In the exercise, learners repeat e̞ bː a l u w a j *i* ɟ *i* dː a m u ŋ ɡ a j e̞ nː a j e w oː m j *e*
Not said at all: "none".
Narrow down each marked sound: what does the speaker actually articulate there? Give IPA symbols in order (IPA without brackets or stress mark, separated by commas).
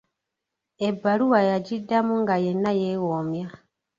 a, i, a